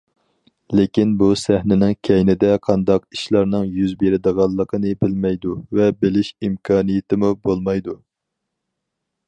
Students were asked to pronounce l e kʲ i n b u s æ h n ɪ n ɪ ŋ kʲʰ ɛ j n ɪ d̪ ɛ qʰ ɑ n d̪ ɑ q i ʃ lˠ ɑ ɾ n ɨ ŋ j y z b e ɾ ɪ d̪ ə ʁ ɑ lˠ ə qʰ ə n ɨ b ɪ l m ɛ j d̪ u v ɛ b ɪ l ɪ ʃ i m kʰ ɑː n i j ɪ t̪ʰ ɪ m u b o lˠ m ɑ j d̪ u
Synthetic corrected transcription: l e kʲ i n b u s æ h n ɪ n ɪ ŋ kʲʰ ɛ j n ɪ d̪ ɛ qʰ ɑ n d̪ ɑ q i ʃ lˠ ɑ ɾ n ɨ ŋ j y z b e ɾ ɪ d̪ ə ʁ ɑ lˠː ə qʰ ə n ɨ b ɪ l m ɛ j d̪ u v ɛ b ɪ l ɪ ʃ i m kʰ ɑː n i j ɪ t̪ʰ ɪ m u b o lˠ m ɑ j d̪ u

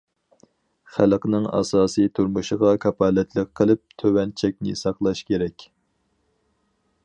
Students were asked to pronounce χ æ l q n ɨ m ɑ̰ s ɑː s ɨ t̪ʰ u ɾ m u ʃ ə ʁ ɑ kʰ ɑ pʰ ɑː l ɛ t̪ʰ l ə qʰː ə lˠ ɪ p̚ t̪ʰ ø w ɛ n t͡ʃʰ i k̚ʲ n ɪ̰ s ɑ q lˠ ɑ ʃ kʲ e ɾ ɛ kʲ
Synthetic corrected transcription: χ æ l q n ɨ ŋ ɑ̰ s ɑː s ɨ t̪ʰ u ɾ m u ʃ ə ʁ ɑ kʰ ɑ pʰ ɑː l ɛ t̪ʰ l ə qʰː ə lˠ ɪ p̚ t̪ʰ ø w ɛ n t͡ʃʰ ɛ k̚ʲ n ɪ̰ s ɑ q lˠ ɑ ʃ kʲ e ɾ ɛ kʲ

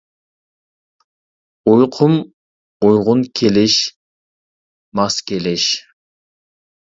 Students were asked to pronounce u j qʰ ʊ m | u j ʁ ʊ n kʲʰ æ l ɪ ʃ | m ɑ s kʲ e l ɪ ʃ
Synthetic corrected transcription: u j qʰ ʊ m | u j ʁ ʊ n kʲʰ e l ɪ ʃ | m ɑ s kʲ e l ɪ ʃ

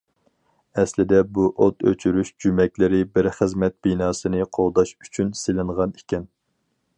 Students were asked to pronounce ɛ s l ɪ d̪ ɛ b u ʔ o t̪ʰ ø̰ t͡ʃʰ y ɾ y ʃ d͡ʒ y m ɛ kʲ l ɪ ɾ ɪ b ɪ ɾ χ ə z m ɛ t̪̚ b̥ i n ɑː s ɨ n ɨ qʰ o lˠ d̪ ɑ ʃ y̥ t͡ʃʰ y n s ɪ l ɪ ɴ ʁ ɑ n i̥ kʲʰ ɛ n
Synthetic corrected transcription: ɛ s l ɪ d̪ ɛ b u ʔ o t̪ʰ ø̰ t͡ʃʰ y ɾ y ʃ d͡ʒ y m ɛ kʲ l ɪ ɾ ɪ b ɪ ɾ χ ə z m ɛ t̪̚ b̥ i n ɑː s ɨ n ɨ qʰ o lˠ d̪ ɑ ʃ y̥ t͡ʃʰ y n s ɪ l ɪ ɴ ʁ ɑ n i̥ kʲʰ ɛ n

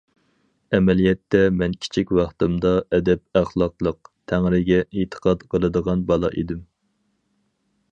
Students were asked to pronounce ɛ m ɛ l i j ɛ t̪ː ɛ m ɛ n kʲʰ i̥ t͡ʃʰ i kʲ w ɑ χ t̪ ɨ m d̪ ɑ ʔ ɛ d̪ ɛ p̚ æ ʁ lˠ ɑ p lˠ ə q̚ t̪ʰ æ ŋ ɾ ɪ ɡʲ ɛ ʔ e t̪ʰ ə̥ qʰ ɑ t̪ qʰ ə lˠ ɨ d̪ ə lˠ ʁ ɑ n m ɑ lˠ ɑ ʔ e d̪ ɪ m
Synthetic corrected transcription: ɛ m ɛ l i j ɛ t̪ː ɛ m ɛ n kʲʰ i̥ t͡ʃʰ i kʲ w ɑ χ t̪ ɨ m d̪ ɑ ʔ ɛ d̪ ɛ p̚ æ χ lˠ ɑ q lˠ ə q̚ t̪ʰ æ ŋ ɾ ɪ ɡʲ ɛ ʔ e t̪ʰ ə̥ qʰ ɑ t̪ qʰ ə lˠ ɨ d̪ ə ʁ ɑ n b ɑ lˠ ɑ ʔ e d̪ ɪ m

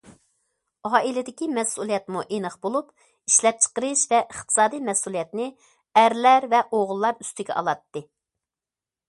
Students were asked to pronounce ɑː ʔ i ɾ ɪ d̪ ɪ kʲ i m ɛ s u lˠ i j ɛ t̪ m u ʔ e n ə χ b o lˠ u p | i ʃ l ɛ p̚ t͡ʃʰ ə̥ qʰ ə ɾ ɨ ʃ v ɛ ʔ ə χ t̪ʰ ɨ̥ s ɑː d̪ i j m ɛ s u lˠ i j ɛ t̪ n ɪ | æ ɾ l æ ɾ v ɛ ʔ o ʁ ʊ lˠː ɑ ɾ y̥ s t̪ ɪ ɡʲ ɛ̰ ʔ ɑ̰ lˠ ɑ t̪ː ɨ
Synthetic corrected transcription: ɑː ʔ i l ɪ d̪ ɪ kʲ i m ɛ s u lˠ i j ɛ t̪ m u ʔ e n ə χ b o lˠ u p | i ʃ l ɛ p̚ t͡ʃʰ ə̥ q ə ɾ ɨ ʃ v ɛ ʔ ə χ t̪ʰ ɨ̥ s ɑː d̪ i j m ɛ s u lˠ i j ɛ t̪ n ɪ | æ ɾ l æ ɾ v ɛ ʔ o ʁ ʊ lˠː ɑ ɾ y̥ s t̪ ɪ ɡʲ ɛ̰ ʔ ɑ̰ lˠ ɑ t̪ː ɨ

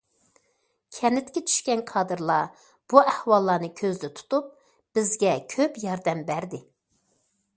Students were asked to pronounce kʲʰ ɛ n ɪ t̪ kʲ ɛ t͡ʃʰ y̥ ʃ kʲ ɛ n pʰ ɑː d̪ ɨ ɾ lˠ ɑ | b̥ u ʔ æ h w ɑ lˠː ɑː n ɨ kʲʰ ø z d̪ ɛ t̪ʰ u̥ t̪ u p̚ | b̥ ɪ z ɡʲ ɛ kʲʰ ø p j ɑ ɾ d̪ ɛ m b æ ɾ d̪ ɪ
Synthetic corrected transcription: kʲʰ ɛ n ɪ t̪ kʲ ɛ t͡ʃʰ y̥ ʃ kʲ ɛ n kʰ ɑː d̪ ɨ ɾ lˠ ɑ | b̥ u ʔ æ h w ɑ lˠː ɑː n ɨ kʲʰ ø z d̪ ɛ t̪ʰ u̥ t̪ u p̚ | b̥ ɪ z ɡʲ ɛ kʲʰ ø p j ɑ ɾ d̪ ɛ m b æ ɾ d̪ ɪ

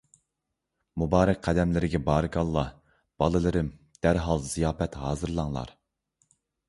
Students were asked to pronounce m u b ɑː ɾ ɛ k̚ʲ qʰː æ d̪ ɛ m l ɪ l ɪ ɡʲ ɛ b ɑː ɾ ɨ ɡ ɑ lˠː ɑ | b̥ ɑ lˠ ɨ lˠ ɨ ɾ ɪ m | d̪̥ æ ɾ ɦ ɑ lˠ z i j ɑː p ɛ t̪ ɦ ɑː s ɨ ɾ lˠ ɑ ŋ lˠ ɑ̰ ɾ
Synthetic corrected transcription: m u b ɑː ɾ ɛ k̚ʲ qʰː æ d̪ ɛ m l ɪ ɾ ɪ ɡʲ ɛ b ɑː ɾ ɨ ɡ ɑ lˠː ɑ | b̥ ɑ lˠ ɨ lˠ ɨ ɾ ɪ m | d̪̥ æ ɾ ɦ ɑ lˠ z i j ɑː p ɛ t̪ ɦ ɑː z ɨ ɾ lˠ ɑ ŋ lˠ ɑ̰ ɾ

